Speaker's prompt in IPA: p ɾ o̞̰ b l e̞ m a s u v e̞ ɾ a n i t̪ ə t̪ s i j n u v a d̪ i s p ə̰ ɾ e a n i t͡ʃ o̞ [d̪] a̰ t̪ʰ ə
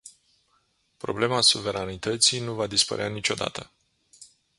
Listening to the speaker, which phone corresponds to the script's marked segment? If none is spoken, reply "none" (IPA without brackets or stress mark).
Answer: d̪